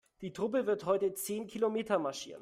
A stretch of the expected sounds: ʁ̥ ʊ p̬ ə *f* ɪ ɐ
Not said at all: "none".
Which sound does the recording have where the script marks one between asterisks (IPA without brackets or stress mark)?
v